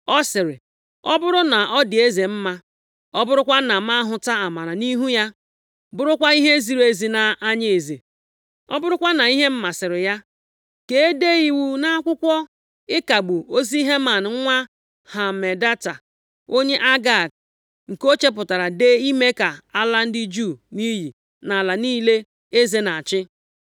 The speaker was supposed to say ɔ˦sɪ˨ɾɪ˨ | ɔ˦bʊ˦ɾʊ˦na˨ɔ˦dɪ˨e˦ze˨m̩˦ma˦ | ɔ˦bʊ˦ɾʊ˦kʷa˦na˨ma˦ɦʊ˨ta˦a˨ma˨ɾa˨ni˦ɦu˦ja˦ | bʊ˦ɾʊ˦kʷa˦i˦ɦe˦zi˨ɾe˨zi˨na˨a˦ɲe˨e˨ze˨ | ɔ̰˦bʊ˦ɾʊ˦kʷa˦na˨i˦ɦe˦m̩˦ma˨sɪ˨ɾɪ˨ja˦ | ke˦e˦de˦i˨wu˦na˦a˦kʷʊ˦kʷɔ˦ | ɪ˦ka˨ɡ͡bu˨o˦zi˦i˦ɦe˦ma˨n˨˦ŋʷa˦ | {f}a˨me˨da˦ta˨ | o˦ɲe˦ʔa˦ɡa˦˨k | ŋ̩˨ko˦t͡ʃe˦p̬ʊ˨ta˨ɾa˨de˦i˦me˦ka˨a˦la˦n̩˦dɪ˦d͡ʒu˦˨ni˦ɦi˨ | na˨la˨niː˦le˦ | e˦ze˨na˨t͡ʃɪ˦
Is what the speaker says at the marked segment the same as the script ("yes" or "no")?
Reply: no